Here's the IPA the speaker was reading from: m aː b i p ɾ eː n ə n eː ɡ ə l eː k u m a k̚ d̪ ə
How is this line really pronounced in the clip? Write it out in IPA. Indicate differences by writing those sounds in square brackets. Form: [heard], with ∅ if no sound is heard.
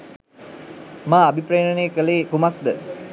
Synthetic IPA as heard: m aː b i p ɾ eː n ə n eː [k] ə l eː k u m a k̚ d̪ ə